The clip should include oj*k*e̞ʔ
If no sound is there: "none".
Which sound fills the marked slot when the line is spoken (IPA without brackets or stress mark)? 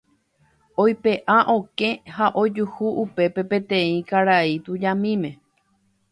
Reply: p